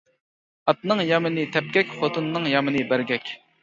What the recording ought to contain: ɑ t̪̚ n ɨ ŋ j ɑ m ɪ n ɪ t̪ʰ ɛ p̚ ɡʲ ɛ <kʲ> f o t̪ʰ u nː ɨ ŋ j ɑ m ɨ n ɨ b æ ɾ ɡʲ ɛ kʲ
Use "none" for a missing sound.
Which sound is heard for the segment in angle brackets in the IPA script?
kʲ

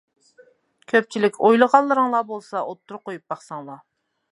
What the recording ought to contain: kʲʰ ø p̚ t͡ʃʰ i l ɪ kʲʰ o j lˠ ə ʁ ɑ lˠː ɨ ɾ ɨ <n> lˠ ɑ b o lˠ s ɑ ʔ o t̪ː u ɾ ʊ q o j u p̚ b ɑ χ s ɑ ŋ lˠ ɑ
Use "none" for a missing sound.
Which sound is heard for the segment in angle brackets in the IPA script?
ŋ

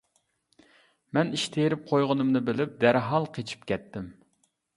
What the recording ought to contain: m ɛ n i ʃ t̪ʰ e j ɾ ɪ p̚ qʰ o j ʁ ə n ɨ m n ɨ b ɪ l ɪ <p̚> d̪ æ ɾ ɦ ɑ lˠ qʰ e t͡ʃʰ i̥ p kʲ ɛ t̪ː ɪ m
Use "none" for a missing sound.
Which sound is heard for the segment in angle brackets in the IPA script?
p̚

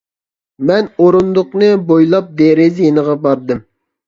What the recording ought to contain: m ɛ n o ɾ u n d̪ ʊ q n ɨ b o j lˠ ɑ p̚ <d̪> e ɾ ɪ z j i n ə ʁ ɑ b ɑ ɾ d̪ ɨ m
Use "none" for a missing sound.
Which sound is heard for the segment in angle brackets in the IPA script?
d̪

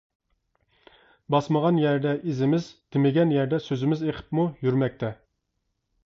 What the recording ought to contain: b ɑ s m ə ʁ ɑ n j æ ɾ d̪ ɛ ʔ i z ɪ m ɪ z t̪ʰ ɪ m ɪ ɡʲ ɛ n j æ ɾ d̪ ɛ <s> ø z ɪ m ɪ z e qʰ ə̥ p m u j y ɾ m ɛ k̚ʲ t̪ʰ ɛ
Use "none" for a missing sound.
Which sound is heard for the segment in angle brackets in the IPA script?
s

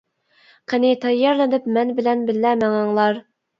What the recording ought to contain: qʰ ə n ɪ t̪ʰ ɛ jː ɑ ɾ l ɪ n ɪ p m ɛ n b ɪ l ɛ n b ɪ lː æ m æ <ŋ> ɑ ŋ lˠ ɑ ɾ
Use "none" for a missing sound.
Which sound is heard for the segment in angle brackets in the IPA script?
ŋ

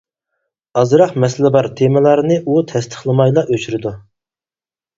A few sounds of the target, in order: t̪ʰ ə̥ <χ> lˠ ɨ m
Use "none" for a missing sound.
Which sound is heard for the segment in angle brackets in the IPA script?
χ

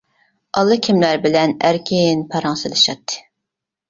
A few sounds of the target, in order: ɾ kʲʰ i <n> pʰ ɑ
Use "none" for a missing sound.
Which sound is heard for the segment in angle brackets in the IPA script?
n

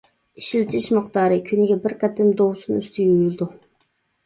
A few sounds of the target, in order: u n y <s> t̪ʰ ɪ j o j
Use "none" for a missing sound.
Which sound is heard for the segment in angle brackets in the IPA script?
s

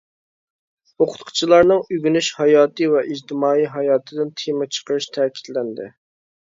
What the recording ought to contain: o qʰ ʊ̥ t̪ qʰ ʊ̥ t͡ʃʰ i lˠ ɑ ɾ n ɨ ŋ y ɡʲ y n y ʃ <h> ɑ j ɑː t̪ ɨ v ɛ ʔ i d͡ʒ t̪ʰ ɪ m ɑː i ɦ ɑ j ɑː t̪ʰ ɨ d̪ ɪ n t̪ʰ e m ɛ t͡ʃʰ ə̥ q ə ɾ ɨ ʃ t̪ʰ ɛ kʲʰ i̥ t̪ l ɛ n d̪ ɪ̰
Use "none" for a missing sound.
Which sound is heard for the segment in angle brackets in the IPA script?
h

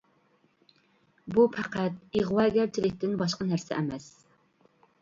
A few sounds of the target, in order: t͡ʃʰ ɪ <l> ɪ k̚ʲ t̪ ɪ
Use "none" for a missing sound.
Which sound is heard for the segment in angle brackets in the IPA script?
l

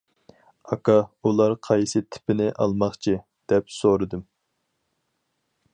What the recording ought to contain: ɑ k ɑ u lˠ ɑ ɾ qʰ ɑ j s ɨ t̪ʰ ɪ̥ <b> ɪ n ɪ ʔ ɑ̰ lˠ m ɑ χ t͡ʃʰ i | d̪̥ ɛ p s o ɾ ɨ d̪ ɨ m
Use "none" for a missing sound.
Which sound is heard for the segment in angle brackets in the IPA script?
p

